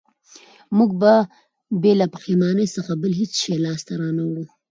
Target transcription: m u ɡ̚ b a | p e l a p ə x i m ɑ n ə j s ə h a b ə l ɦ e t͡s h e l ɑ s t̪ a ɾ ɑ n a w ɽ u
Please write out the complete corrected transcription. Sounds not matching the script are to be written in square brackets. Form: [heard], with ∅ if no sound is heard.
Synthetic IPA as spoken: m u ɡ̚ b a | [b] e l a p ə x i m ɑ n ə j s ə [x] a b ə l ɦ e t͡s [ʃ] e l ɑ s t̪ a ɾ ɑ n a w ɽ u